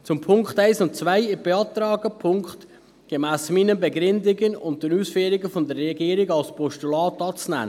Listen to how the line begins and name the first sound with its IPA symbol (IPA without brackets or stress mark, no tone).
t͡s